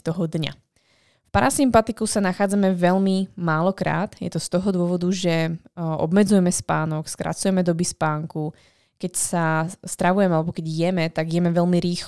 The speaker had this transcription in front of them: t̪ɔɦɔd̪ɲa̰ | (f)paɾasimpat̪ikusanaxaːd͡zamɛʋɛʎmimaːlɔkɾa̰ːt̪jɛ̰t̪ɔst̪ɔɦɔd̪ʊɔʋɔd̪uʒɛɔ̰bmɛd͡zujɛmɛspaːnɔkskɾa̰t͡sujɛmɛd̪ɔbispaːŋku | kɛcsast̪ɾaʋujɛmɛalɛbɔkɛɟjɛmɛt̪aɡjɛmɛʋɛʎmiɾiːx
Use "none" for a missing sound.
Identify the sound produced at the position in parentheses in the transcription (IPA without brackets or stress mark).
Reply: f